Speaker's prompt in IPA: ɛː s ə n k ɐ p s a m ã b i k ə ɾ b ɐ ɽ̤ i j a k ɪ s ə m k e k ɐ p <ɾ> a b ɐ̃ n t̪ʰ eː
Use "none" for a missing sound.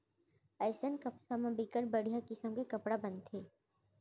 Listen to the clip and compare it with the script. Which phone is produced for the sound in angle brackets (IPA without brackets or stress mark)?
ɽ